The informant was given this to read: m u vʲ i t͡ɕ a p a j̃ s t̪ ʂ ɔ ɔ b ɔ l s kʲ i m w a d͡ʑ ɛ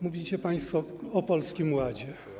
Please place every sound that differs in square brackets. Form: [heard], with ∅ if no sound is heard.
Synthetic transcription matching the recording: m u vʲ i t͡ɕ [ɛ] p a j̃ s t̪ [f] ɔ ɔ [p] ɔ l s kʲ i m w a d͡ʑ ɛ